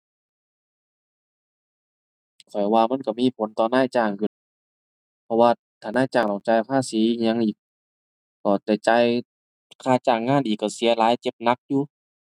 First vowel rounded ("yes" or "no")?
yes